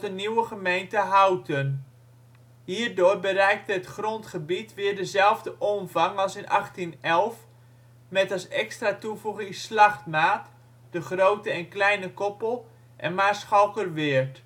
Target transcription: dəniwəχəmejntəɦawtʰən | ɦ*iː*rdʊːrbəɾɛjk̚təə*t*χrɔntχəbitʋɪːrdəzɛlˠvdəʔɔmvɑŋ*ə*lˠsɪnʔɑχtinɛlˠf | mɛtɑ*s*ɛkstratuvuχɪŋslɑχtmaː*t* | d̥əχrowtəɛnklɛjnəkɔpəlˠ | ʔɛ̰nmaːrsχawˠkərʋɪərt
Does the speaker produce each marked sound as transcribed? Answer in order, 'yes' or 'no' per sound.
yes, yes, no, yes, yes

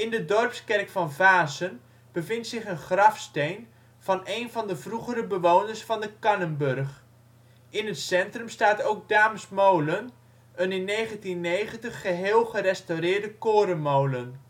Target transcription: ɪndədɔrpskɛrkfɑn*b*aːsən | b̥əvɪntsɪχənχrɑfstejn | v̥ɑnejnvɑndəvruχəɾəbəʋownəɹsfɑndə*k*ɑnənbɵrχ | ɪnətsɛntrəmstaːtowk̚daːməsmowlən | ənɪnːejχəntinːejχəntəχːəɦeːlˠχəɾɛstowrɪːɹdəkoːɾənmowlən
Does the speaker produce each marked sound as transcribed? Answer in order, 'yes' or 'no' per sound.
no, yes

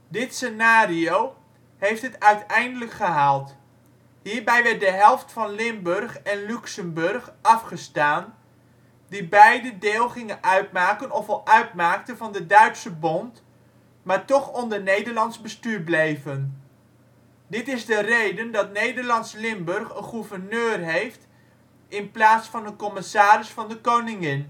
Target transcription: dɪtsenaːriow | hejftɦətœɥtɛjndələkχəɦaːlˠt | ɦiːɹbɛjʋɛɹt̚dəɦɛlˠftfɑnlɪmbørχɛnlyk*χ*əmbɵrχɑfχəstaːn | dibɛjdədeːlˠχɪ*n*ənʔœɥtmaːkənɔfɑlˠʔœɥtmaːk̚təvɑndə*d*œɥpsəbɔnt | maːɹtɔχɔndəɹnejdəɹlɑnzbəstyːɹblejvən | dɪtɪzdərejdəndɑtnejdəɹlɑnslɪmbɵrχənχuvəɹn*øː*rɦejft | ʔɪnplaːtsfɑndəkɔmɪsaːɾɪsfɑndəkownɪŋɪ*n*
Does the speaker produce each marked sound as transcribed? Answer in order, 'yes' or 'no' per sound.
no, no, yes, yes, yes

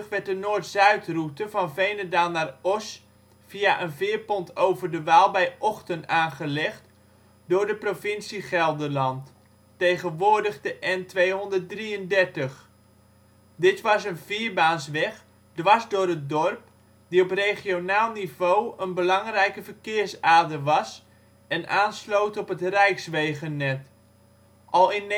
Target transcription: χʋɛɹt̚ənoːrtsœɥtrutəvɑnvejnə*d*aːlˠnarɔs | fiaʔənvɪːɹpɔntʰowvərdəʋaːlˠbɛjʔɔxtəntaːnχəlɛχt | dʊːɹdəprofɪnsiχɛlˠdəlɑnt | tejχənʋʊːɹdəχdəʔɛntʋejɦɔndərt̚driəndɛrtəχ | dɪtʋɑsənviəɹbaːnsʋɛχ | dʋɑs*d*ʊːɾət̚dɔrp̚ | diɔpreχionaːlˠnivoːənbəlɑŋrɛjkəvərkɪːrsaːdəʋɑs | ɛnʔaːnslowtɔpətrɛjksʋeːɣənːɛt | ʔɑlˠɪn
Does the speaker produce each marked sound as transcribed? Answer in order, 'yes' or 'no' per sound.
yes, yes

